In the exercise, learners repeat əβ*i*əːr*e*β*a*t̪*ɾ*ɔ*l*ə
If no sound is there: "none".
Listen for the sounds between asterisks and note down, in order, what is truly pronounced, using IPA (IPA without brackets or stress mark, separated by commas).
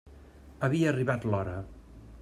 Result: i, i, a, l, ɾ